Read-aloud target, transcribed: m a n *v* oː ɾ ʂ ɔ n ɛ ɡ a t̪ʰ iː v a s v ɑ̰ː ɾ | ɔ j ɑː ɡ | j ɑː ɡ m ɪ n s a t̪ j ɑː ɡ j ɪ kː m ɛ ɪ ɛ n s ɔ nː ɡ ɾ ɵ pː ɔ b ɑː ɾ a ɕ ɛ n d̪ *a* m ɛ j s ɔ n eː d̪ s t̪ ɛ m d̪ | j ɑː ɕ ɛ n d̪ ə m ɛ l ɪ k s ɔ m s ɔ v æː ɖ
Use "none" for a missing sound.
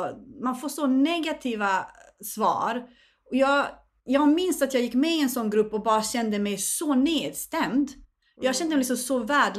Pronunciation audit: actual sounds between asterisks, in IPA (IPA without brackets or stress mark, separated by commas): f, ə